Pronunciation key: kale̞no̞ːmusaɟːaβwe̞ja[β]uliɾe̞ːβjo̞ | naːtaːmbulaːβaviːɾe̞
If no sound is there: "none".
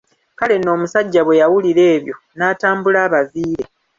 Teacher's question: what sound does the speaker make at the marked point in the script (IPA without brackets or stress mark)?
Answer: w